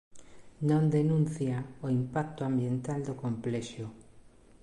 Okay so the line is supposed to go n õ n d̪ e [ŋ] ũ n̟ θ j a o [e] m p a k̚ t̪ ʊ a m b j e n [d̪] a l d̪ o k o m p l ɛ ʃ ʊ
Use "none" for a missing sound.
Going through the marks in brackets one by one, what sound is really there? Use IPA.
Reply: n, i, t̪

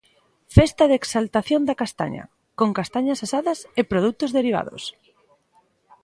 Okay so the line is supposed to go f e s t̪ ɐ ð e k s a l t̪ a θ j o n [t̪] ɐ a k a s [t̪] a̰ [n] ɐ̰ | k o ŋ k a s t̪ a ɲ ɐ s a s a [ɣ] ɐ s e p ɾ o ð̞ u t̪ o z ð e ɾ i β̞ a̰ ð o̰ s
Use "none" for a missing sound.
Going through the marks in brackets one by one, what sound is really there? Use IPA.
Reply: d̪, t̪, ɲ, ð

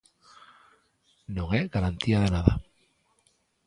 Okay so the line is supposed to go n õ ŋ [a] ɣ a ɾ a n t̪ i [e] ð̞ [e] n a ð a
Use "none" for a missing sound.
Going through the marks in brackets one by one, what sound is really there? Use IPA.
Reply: e, a, e

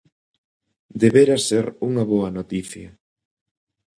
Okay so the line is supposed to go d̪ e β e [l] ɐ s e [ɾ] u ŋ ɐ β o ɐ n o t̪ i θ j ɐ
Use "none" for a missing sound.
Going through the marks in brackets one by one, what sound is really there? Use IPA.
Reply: ɾ, ɾ

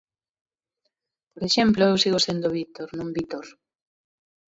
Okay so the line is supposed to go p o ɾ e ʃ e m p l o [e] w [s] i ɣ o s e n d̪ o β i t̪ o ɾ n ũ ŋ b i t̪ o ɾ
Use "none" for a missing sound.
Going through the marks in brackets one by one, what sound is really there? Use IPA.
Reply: e, s

